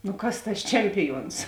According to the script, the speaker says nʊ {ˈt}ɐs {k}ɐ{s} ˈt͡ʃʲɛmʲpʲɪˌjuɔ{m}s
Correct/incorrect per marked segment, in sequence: incorrect: k, incorrect: t, correct, incorrect: n

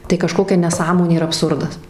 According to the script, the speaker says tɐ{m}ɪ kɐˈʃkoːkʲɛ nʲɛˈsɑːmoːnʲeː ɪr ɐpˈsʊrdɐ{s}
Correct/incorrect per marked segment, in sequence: incorrect: none, correct

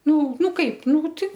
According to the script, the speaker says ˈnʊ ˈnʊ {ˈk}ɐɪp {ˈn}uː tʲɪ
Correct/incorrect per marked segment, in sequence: correct, correct

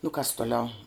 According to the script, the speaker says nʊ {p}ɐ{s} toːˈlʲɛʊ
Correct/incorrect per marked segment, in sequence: incorrect: k, correct

